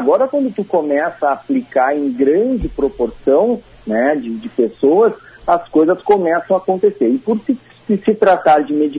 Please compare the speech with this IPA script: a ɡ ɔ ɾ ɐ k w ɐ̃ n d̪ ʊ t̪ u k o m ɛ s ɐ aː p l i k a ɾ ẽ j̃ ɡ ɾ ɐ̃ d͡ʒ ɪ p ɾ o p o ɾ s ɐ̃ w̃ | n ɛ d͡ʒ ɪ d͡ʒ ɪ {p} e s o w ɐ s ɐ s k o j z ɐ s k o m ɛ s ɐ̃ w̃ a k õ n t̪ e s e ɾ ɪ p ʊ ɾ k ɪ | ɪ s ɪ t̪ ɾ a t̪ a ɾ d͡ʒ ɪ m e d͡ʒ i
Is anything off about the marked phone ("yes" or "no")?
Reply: no